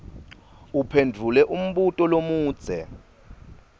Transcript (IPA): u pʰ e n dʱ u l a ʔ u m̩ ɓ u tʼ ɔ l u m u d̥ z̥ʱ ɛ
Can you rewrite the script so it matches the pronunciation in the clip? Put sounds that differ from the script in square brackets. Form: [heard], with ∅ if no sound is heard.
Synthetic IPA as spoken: u pʰ e n dʱ u l [ɛ] ʔ u m̩ ɓ u tʼ ɔ l [o] m [uː] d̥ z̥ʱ ɛ